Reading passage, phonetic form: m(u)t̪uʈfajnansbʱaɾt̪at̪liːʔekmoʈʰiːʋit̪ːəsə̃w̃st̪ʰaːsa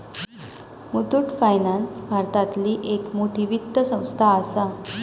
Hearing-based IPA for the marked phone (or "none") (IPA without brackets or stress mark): u